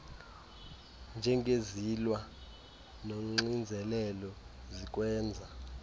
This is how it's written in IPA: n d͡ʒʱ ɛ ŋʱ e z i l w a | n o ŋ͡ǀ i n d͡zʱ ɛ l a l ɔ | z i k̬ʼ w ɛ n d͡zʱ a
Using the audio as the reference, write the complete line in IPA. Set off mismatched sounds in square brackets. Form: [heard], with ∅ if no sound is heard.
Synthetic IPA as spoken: n d͡ʒʱ ɛ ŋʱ e z i l w a | n o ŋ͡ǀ i n d͡zʱ ɛ l [ɛ] l ɔ | z i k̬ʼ w [ɛː] n d͡zʱ a